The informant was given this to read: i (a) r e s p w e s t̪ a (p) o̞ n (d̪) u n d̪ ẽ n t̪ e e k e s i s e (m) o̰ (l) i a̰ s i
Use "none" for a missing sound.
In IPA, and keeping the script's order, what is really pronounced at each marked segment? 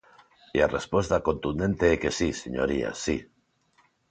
a, k, t̪, ɲ, ɾ

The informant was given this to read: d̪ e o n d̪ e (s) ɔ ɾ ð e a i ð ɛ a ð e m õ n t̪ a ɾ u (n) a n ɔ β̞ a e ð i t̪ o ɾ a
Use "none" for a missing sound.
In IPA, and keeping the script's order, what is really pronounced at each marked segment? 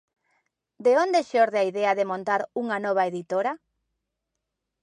ʃ, ŋ

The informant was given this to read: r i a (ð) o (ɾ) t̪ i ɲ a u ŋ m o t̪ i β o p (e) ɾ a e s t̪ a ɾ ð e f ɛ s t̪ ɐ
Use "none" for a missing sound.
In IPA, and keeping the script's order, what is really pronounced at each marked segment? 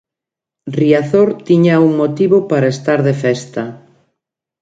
θ, ɾ, a

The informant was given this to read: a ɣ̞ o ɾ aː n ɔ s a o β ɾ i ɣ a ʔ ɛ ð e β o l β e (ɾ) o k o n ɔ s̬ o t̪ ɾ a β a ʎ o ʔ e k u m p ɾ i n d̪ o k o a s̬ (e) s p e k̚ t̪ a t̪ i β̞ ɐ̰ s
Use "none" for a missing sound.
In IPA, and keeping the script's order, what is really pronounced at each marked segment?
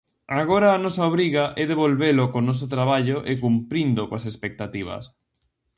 l, e

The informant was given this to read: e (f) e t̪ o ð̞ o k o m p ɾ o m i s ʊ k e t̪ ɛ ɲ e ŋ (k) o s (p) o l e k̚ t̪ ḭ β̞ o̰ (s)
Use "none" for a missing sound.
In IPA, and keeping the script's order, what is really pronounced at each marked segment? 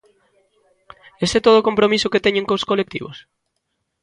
s, k, k, s

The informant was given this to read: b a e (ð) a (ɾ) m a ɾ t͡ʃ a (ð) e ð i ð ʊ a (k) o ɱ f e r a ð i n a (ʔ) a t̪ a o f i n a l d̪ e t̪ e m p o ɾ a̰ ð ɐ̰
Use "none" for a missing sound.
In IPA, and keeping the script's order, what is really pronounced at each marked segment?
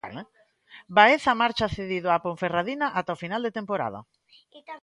θ, none, θ, p, ʔ

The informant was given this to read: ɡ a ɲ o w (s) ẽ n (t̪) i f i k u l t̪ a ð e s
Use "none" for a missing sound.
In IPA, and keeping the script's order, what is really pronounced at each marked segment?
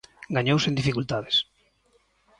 s, d̪

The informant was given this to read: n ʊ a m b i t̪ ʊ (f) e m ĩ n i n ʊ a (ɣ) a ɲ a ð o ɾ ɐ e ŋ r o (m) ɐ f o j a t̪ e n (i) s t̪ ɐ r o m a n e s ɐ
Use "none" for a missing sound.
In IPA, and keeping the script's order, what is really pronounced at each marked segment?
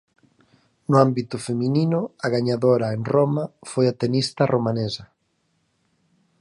f, ɣ, m, i

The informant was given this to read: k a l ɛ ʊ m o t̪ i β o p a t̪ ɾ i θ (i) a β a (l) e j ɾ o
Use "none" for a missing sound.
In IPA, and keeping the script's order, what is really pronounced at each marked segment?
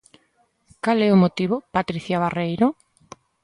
j, r

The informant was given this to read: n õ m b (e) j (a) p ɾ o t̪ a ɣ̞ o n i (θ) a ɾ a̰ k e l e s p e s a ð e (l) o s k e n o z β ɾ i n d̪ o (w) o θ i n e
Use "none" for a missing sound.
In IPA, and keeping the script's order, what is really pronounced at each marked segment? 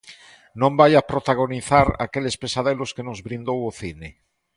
a, a, θ, l, w

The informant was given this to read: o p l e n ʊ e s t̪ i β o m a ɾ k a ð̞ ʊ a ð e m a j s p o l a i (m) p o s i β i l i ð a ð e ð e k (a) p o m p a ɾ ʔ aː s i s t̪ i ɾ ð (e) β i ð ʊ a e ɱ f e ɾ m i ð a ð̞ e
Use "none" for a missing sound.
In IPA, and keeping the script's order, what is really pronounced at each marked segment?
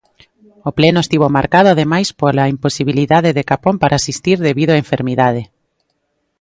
m, a, e

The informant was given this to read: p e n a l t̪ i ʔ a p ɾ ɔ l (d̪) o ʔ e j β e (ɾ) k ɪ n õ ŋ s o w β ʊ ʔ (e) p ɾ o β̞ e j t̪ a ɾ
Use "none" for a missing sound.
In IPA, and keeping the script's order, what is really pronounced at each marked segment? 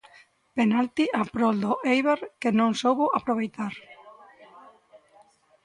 d̪, ɾ, a

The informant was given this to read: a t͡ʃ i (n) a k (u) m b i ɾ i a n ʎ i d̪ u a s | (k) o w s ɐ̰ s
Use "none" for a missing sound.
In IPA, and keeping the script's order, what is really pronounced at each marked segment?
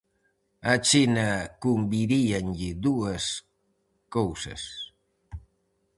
n, u, k

